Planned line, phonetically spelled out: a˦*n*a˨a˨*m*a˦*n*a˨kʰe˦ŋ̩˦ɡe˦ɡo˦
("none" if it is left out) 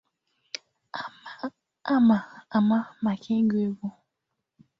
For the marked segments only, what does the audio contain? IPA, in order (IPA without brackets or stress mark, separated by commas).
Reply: m, m, m